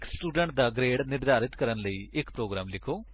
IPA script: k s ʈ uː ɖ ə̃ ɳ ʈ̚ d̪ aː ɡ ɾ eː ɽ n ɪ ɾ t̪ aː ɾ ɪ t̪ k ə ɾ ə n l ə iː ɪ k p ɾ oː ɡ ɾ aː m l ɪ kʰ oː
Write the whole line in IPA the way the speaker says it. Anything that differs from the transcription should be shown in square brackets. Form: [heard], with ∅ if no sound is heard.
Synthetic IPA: k s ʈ uː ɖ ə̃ ɳ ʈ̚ d̪ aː ɡ ɾ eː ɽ n ɪ ɾ [d̪] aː ɾ ɪ t̪ k ə ɾ ə n l ə iː ɪ k p ɾ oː ɡ ɾ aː m l ɪ kʰ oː